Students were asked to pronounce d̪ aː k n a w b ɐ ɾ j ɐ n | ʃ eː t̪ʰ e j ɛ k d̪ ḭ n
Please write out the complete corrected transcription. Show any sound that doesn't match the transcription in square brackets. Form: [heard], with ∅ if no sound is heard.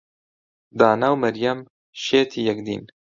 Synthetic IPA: d̪ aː [∅] n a w [m] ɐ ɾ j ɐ [m] | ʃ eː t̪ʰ [i] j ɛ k d̪ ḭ n